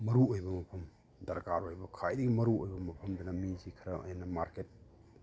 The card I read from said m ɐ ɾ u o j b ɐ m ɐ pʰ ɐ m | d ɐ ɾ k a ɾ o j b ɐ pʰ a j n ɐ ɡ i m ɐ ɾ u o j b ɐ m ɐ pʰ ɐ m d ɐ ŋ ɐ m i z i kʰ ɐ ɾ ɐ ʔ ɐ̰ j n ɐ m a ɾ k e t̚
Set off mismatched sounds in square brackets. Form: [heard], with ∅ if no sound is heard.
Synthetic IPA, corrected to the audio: m ɐ ɾ u o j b ɐ m ɐ pʰ ɐ m | d ɐ ɾ k a ɾ o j b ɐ [kʰ] a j [d] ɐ ɡ i m ɐ ɾ u o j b ɐ m ɐ pʰ ɐ m d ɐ [n] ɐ m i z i kʰ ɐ ɾ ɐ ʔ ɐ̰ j n ɐ m a ɾ k e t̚